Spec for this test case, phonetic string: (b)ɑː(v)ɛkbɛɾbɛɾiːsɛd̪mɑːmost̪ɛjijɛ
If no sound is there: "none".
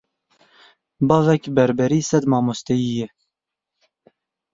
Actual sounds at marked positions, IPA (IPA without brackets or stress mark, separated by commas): b, v